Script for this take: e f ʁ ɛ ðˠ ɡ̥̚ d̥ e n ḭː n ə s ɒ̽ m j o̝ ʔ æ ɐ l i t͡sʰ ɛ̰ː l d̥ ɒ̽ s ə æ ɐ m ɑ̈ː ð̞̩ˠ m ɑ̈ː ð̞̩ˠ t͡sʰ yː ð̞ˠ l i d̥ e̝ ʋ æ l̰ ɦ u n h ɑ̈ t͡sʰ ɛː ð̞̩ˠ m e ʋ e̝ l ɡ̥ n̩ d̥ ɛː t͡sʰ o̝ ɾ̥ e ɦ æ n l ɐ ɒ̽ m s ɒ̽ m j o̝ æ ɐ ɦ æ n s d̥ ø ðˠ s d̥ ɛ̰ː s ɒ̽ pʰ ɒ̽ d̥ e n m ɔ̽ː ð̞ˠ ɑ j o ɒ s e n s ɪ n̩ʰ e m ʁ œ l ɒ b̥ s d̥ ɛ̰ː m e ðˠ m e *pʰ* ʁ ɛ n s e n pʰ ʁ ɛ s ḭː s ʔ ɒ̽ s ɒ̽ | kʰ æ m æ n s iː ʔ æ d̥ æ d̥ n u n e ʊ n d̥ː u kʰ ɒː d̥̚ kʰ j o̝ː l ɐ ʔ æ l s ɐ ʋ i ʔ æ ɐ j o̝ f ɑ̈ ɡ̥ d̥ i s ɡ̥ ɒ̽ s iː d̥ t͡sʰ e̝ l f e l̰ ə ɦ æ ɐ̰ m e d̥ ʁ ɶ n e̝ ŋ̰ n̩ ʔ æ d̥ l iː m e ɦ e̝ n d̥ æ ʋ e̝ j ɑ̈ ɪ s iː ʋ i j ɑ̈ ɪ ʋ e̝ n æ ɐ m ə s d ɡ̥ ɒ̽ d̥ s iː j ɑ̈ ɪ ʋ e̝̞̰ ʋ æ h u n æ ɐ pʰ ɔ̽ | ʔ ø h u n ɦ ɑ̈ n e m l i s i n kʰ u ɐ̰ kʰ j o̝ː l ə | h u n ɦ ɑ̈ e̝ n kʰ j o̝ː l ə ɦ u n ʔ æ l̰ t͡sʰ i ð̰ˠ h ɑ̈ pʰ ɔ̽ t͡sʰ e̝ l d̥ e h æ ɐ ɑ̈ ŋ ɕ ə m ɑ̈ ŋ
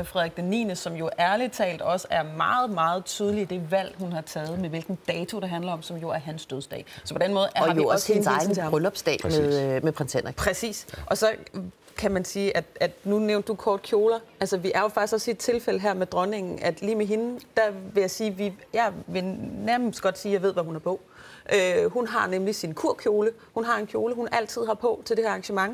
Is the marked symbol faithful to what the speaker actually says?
yes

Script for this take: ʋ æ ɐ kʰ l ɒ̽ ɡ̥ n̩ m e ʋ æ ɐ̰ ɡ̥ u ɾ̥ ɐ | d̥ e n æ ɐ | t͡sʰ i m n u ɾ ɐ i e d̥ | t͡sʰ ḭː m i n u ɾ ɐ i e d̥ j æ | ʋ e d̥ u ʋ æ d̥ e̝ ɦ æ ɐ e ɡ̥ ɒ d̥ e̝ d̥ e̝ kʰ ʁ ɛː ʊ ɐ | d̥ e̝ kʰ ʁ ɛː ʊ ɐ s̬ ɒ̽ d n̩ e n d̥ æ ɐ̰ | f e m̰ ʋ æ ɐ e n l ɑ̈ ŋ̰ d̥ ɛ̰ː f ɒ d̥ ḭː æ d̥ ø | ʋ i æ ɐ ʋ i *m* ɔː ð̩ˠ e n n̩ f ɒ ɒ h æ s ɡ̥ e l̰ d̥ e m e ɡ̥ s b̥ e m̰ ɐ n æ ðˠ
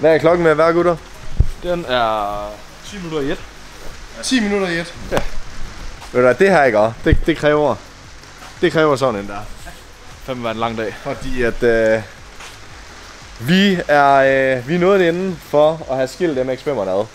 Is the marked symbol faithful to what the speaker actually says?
no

